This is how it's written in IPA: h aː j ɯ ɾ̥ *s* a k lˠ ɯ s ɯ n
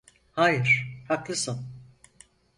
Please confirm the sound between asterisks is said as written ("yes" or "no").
no